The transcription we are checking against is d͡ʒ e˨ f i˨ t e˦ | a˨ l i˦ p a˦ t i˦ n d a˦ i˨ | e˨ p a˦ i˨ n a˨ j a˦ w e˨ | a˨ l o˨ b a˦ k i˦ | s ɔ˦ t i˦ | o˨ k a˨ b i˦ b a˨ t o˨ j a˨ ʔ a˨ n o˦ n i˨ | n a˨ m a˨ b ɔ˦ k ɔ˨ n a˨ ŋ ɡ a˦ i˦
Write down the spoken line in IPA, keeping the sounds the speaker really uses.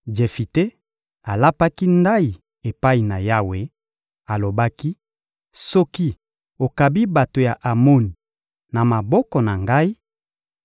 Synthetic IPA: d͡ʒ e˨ f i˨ t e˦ | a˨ l a˦ p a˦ k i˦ n d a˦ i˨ | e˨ p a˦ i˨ n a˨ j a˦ w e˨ | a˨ l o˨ b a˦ k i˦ | s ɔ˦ k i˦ | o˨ k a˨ b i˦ b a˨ t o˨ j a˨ ʔ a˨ m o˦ n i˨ | n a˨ m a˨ b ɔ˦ k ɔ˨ n a˨ ŋ ɡ a˦ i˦

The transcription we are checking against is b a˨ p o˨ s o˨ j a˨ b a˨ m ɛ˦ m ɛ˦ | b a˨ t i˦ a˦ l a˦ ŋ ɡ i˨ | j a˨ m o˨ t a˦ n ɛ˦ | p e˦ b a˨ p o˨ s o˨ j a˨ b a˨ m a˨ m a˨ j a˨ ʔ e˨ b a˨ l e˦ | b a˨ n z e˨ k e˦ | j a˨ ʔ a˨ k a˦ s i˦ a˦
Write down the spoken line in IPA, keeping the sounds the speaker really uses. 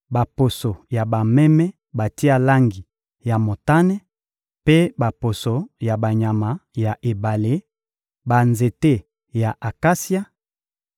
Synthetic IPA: b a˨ p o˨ s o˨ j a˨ b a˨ m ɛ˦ m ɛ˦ | b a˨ t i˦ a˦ l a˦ ŋ ɡ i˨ | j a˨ m o˨ t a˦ n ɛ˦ | p e˦ b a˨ p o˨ s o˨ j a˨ b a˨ ɲ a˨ m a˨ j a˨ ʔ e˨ b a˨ l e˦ | b a˨ n z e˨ t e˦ | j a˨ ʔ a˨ k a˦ s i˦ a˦

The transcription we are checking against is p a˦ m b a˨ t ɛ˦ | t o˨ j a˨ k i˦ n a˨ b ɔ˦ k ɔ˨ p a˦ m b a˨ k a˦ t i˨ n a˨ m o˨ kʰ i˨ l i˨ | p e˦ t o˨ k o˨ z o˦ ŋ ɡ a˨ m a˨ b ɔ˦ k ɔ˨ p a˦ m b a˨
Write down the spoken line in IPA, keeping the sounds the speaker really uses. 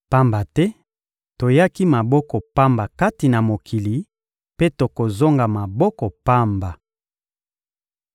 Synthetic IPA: p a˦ m b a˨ t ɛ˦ | t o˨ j a˦ k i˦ m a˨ b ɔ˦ k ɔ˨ p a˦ m b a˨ k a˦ t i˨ n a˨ m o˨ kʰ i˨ l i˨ | p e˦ t o˨ k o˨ z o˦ ŋ ɡ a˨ m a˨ b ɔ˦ k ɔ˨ p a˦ m b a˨

